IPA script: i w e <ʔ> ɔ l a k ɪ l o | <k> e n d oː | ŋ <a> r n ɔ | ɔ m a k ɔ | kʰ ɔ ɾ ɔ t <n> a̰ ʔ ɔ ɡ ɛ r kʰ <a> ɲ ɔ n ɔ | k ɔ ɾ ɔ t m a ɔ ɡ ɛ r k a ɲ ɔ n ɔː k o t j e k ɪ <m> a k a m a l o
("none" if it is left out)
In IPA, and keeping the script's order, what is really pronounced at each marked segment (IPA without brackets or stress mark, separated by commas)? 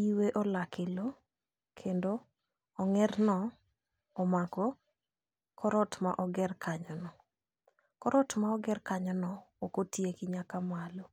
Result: ʔ, kʰ, ɛ, m, a, ɲ